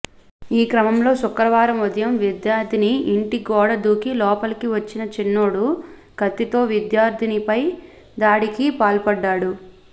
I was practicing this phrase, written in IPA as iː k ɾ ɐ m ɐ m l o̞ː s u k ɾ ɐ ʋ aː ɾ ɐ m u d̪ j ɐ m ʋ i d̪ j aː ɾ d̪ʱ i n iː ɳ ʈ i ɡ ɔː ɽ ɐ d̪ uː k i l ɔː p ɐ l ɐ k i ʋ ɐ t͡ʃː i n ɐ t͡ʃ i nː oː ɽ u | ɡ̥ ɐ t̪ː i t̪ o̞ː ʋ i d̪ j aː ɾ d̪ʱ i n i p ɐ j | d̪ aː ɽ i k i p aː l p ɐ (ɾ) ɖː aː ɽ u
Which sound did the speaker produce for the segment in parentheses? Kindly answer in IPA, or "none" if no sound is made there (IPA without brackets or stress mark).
none